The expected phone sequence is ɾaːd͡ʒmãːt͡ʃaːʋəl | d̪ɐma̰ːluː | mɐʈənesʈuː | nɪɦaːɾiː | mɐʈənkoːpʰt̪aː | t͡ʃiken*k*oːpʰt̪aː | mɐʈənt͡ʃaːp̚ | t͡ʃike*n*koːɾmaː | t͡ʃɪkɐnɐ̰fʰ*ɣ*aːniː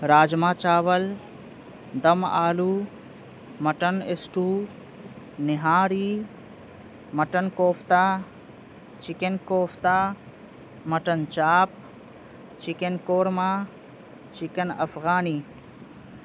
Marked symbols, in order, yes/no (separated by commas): yes, yes, yes